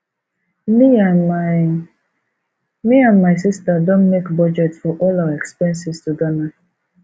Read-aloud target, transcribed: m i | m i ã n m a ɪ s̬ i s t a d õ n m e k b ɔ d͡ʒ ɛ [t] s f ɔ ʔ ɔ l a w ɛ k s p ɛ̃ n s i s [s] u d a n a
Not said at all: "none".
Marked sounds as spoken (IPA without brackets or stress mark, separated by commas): t, t